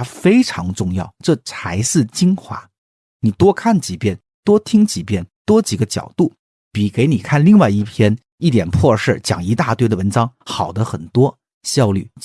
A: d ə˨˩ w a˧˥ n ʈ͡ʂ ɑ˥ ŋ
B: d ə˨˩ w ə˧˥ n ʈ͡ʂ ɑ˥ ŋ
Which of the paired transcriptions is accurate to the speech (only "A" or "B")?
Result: B